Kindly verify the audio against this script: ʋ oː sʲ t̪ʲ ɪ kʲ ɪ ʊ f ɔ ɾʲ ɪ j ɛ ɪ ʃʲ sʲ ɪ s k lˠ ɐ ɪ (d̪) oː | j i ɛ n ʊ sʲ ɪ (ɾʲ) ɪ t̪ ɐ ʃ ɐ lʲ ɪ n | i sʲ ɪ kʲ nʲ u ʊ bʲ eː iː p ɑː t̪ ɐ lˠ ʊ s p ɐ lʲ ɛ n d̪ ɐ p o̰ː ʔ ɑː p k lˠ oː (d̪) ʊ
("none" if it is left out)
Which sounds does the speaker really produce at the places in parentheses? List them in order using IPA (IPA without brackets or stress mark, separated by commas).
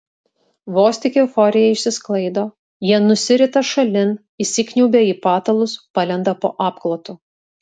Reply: d̪, ɾʲ, t̪